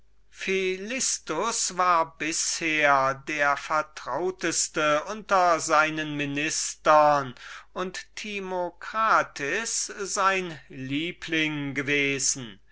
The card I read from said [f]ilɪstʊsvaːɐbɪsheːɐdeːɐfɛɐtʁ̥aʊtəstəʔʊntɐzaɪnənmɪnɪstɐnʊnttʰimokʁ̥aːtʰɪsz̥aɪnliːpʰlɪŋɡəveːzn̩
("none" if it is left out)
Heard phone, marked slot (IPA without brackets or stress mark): f